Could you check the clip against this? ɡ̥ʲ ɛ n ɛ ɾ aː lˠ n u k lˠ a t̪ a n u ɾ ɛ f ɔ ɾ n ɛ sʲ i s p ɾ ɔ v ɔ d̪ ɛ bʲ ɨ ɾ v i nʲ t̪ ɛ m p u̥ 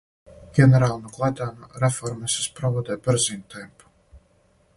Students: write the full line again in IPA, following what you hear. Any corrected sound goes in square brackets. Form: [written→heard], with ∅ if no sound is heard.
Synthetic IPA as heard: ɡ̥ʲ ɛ n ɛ ɾ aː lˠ n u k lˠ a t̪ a n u ɾ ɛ f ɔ ɾ [n→m] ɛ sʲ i s p ɾ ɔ v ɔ d̪ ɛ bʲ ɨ ɾ [v→z] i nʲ t̪ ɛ m p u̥